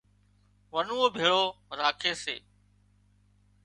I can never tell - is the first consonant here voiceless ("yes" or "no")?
no